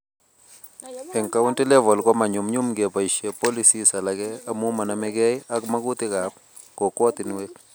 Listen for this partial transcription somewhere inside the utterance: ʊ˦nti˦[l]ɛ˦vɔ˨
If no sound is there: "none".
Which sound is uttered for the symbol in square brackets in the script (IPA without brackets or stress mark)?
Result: l